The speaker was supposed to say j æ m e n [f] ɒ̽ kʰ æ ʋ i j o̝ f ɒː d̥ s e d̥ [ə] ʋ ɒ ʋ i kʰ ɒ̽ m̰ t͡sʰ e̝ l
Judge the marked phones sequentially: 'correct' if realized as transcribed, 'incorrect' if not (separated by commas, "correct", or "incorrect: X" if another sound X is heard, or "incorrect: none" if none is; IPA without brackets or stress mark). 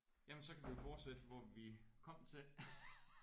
incorrect: s, correct